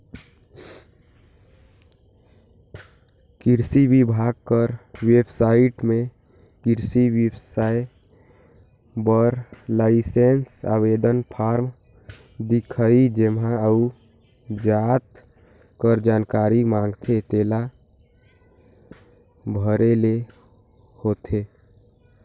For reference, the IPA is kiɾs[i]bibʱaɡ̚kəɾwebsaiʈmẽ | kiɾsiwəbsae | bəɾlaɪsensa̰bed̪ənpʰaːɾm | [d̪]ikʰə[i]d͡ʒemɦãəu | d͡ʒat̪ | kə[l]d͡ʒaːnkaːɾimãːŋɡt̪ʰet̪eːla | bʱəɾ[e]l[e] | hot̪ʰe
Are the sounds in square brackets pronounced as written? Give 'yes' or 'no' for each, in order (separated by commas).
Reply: yes, yes, yes, no, yes, yes